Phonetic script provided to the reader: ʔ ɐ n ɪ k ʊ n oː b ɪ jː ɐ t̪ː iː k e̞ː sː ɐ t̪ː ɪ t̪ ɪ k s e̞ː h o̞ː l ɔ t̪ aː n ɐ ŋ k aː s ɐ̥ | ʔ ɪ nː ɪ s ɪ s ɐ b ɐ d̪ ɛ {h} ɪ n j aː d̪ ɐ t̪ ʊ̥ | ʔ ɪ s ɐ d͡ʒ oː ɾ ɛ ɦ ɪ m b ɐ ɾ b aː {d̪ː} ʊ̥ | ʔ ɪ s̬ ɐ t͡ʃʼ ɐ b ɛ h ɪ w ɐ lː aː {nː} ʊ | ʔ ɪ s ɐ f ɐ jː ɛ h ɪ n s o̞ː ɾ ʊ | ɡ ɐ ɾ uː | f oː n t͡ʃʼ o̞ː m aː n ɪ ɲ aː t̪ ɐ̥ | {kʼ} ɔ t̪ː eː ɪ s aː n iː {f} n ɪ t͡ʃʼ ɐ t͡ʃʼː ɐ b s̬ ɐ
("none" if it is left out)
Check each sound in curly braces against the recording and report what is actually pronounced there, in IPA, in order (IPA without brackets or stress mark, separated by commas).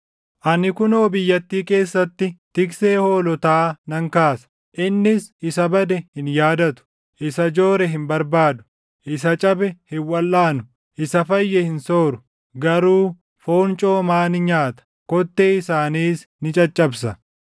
h, d̪, n, k, s